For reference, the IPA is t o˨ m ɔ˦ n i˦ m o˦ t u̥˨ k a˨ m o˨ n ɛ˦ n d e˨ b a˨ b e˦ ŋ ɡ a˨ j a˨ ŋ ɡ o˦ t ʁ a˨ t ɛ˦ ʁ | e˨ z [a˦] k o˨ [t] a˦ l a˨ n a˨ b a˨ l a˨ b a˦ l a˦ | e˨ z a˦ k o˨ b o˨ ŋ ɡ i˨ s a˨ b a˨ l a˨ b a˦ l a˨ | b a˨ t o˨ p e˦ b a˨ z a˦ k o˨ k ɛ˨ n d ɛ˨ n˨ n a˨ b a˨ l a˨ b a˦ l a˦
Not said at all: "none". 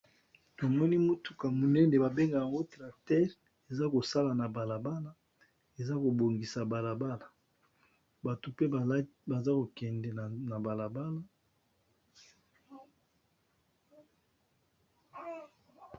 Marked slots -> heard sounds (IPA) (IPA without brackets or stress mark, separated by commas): a˦, s